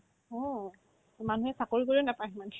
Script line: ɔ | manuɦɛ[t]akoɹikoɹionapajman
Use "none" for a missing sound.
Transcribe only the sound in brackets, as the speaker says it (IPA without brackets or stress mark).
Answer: s